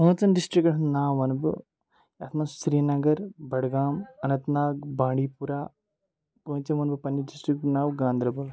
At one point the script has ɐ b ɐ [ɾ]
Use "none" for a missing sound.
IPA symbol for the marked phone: l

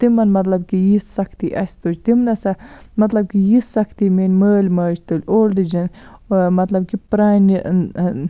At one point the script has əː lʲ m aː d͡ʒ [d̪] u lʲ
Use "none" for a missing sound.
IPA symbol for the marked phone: t̪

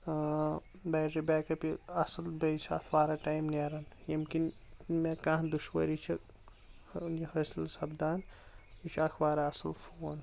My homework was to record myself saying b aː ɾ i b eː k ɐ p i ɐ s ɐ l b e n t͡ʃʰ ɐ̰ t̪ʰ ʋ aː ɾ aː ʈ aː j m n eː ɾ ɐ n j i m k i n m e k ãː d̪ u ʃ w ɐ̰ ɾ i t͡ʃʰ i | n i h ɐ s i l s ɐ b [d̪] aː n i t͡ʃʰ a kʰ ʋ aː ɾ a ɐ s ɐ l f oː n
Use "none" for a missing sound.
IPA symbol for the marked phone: d̪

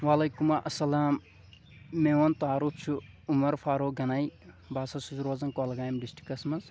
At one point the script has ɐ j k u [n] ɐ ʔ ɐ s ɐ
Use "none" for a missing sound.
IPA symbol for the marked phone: m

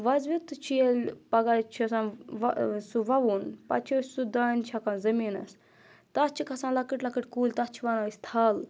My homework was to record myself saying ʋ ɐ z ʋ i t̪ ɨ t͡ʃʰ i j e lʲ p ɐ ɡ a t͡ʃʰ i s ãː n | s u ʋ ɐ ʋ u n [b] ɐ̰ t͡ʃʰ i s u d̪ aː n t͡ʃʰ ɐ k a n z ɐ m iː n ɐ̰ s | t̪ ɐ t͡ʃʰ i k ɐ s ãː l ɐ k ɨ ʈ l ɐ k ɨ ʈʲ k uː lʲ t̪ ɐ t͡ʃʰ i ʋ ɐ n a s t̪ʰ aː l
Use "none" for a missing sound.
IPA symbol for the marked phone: p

